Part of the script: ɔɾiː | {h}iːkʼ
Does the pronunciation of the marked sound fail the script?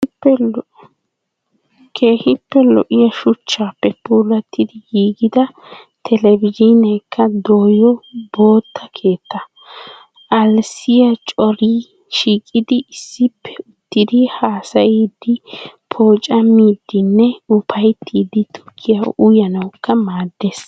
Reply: yes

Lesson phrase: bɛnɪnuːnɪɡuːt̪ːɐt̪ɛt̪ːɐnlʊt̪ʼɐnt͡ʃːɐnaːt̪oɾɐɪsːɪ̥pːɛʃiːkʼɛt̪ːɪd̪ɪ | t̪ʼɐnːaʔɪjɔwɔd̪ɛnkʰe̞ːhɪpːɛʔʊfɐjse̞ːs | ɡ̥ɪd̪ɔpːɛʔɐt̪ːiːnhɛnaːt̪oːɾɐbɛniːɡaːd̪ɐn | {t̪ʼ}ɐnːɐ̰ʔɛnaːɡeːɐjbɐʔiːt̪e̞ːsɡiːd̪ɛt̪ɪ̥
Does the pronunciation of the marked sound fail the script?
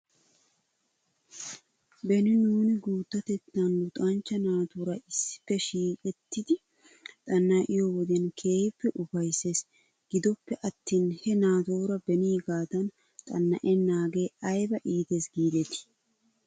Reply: no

